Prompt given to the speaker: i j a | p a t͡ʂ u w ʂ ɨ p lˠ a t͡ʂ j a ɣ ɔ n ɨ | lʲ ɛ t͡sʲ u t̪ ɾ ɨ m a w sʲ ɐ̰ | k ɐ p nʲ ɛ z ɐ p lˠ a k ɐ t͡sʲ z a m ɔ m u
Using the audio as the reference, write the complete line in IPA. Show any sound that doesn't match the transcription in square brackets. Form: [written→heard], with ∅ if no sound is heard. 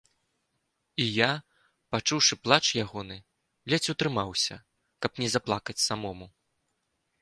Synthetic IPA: i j a | p a t͡ʂ u w ʂ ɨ p lˠ a t͡ʂ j a ɣ ɔ n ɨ | lʲ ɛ t͡sʲ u t̪ ɾ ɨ m a w sʲ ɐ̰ | k ɐ p nʲ ɛ z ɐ p lˠ a k ɐ t͡sʲ [z→s] a m ɔ m u